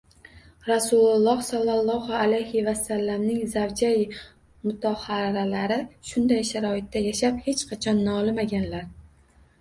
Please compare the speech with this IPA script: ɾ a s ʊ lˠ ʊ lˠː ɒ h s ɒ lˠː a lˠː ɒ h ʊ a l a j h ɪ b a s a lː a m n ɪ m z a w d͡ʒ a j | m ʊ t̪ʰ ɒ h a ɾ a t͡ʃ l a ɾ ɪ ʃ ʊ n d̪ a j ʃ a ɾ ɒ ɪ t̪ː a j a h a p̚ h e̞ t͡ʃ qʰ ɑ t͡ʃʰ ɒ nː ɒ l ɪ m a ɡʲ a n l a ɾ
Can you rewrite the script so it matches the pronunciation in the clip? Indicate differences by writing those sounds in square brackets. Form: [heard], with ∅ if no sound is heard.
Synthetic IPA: ɾ a s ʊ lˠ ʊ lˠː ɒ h s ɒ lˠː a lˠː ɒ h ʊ a l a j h ɪ [v] a s a lː a m n ɪ [ŋ] z a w d͡ʒ a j | m ʊ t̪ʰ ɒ h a ɾ a [∅] l a ɾ ɪ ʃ ʊ n d̪ a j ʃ a ɾ ɒ ɪ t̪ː a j a [ʃ] a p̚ h e̞ t͡ʃ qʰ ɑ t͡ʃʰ ɒ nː ɒ l ɪ m a ɡʲ a n l a ɾ